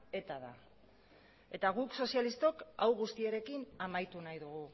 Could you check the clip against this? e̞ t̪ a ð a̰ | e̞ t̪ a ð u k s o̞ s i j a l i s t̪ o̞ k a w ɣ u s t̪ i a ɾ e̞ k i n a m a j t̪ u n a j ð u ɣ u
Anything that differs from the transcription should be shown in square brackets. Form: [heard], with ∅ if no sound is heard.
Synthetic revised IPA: e̞ t̪ a ð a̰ | e̞ t̪ a [ɣ] u k s o̞ s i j a l i s t̪ o̞ k a w ɣ u s t̪ i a ɾ e̞ k i n a m a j t̪ u n a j ð u ɣ u